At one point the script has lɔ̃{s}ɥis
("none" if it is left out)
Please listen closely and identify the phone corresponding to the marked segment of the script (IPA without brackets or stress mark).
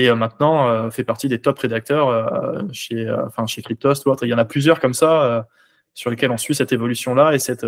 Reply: s